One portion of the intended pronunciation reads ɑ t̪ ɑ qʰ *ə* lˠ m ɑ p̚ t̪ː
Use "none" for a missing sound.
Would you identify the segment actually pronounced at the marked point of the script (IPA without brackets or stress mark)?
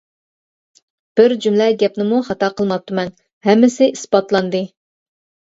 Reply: ə